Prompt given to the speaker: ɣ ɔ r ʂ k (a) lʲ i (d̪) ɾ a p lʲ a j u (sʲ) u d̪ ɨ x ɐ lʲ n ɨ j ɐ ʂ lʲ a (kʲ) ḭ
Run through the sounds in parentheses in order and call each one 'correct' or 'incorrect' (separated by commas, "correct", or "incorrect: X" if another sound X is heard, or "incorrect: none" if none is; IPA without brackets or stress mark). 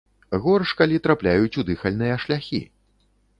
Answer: correct, incorrect: t̪, incorrect: t͡sʲ, incorrect: xʲ